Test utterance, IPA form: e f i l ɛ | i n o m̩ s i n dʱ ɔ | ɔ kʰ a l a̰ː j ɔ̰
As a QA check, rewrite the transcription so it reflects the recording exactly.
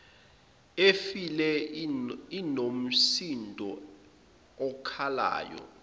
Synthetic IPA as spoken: e f i l ɛ | i n o m̩ s i n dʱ ɔ | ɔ kʰ a l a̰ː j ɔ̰